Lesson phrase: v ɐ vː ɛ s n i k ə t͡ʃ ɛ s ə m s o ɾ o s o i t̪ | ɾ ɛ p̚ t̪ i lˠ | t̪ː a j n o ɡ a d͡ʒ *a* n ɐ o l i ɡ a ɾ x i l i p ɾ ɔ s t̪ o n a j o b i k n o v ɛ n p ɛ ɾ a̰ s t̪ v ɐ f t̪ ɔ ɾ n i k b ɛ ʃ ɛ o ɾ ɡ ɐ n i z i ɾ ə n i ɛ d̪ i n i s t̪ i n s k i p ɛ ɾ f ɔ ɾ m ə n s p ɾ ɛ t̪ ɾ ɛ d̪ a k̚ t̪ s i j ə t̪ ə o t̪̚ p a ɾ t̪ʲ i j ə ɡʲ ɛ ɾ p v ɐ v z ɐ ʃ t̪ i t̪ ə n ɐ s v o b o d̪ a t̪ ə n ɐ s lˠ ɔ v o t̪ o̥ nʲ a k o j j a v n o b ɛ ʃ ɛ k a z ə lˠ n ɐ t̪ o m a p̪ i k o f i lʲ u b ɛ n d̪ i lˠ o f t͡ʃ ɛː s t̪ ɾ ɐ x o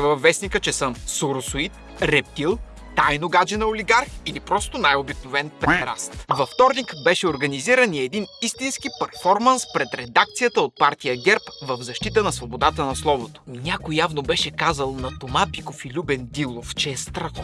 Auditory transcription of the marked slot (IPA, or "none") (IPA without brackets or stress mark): ɛ